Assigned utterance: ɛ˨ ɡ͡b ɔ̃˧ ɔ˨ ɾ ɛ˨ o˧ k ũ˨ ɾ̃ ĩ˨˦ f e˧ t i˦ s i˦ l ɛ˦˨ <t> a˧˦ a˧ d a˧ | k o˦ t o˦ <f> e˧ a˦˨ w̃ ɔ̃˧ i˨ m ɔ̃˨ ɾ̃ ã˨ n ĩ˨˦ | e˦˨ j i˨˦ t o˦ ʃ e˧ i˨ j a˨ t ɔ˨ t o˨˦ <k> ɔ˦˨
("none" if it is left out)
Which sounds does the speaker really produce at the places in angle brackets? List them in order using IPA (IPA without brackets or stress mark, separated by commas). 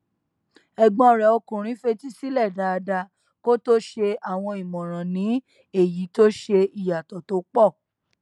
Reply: d, ʃ, k͡p